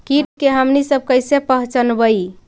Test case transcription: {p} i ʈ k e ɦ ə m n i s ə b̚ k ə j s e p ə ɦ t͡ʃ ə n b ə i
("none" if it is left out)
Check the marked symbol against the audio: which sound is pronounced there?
k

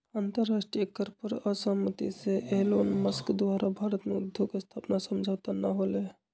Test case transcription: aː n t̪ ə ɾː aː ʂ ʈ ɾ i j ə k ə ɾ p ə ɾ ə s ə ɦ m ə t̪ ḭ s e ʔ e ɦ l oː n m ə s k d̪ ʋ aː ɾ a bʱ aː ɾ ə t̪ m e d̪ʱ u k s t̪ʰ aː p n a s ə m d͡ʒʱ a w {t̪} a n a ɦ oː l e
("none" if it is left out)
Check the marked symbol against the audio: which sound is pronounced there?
t̪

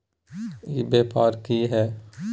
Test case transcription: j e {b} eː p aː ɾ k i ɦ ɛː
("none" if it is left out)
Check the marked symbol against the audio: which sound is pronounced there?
b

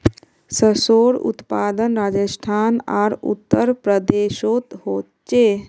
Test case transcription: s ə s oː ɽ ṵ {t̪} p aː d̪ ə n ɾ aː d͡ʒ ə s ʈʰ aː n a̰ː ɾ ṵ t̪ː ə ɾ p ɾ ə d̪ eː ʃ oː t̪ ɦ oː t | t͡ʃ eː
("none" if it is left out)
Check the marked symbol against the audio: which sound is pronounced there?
t̪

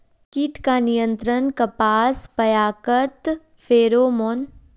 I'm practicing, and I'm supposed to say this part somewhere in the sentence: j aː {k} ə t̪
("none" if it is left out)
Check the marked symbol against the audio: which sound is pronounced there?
k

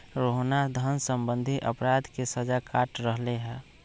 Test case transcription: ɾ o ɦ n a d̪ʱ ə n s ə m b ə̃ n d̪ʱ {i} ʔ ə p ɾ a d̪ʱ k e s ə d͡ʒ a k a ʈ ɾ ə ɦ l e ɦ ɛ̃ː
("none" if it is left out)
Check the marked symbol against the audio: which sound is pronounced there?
i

